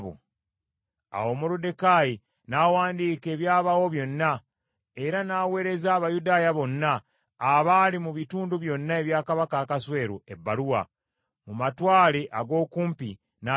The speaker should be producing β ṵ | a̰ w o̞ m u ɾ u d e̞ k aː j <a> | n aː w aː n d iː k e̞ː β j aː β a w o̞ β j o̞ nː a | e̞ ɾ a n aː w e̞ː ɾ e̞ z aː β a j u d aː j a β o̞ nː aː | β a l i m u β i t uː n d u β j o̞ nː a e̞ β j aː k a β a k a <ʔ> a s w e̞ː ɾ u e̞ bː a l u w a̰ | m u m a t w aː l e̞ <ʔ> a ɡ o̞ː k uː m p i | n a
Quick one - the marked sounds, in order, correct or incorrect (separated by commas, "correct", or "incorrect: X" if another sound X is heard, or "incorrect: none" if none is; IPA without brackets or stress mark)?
incorrect: i, incorrect: k, correct